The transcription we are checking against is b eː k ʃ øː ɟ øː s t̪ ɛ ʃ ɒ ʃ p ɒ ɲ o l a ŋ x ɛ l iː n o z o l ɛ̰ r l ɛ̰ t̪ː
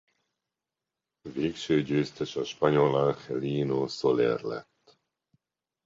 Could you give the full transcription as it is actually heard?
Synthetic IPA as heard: v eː k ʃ øː ɟ øː s t̪ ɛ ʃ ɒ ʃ p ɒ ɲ o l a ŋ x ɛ l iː n o s o l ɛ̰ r l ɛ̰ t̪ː

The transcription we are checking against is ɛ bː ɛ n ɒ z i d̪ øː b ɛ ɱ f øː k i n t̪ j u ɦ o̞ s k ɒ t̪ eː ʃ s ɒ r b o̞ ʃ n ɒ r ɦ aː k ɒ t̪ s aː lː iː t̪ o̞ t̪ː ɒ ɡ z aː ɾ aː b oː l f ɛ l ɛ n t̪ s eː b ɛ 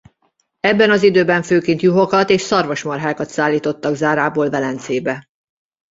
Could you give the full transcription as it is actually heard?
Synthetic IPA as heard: ɛ bː ɛ n ɒ z i d̪ øː b ɛ ɱ f øː k i n t̪ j u ɦ o̞ k ɒ t̪ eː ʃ s ɒ r v o̞ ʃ m ɒ r ɦ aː k ɒ t̪ s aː lː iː t̪ o̞ t̪ː ɒ ɡ z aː ɾ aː b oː l v ɛ l ɛ n t̪ s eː b ɛ

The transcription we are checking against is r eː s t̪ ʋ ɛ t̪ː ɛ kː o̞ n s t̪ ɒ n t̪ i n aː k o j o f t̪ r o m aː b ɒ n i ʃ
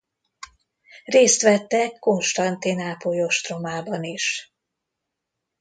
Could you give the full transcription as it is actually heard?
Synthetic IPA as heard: r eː s t̪ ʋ ɛ t̪ː ɛ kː o̞ n ʃ t̪ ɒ n t̪ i n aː p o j o ʃ t̪ r o m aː b ɒ n i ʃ

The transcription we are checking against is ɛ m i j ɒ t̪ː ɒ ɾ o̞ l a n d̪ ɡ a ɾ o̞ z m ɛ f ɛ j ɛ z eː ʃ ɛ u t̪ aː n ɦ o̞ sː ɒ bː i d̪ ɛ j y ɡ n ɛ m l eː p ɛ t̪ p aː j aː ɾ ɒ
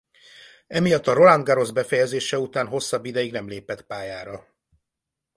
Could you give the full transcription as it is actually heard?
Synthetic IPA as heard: ɛ m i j ɒ t̪ː ɒ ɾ o̞ l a n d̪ ɡ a ɾ o̞ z b ɛ f ɛ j ɛ z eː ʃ ɛ u t̪ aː n ɦ o̞ sː ɒ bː i d̪ ɛ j i ɡ n ɛ m l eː p ɛ t̪ p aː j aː ɾ ɒ

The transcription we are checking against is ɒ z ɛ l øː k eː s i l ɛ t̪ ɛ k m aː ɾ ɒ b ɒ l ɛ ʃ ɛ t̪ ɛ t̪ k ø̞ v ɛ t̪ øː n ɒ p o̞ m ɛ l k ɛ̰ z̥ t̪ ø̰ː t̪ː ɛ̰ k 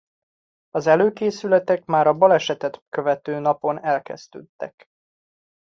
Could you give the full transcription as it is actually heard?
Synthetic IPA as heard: ɒ z ɛ l øː k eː s y l ɛ t̪ ɛ k m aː ɾ ɒ b ɒ l ɛ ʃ ɛ t̪ ɛ t̪ k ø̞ v ɛ t̪ øː n ɒ p o̞ n ɛ l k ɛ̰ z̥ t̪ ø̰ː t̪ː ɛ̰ k

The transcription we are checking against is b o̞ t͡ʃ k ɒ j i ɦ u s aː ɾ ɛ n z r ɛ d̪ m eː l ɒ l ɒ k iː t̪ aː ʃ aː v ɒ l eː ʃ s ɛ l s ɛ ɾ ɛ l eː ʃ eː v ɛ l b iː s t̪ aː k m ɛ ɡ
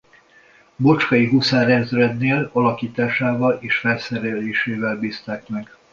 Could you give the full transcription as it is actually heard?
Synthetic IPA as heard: b o̞ t͡ʃ k ɒ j i ɦ u s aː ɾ ɛ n z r ɛ d̪ n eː l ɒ l ɒ k iː t̪ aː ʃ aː v ɒ l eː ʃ f ɛ l s ɛ ɾ ɛ l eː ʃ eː v ɛ l b iː s t̪ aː k m ɛ ɡ

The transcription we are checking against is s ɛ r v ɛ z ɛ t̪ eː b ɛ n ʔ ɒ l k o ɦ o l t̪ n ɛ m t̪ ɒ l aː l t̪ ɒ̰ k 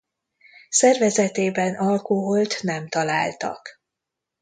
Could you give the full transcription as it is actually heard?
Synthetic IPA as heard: s ɛ r v ɛ z ɛ t̪ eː b ɛ n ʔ ɒ l k o ɦ o l t̪ n ɛ m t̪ ɒ l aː l t̪ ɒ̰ k

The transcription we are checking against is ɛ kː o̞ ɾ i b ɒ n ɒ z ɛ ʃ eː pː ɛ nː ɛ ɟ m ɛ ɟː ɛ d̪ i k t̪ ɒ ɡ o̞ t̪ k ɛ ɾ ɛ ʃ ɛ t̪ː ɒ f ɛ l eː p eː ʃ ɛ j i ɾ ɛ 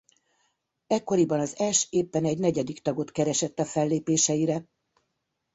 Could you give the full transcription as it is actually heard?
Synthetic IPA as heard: ɛ kː o̞ ɾ i b ɒ n ɒ z ɛ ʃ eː pː ɛ n ɛ ɟ n ɛ ɟ ɛ d̪ i k t̪ ɒ ɡ o̞ t̪ k ɛ ɾ ɛ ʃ ɛ t̪ː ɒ f ɛ lː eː p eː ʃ ɛ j i ɾ ɛ

